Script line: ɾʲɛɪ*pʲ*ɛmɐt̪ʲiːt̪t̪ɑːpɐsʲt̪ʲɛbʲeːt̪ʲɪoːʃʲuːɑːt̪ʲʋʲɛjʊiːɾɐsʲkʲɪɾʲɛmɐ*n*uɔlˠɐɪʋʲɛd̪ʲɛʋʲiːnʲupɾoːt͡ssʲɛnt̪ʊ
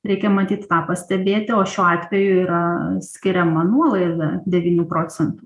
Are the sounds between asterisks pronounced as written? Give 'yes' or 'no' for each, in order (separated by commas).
no, yes